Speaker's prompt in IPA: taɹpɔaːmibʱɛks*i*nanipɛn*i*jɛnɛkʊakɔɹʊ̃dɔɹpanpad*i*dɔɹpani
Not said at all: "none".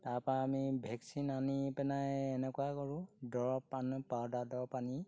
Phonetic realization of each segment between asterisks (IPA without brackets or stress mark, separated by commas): i, a, a